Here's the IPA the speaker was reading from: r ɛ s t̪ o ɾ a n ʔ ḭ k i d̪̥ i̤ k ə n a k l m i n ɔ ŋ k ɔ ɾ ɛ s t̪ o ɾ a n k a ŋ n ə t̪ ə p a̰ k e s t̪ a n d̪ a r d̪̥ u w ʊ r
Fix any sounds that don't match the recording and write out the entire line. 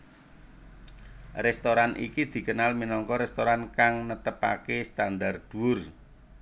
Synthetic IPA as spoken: r ɛ s t̪ o ɾ a n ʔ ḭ k i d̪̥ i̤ k ə n a l m i n ɔ ŋ k ɔ ɾ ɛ s t̪ o ɾ a n k a ŋ n ə t̪ ə p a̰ k e s t̪ a n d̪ a r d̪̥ u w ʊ r